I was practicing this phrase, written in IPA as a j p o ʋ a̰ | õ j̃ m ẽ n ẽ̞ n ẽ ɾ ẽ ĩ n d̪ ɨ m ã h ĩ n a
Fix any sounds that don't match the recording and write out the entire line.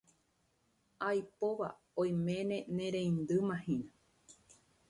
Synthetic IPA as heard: a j p o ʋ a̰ | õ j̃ m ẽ n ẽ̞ n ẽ ɾ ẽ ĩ n d̪ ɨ m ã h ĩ n a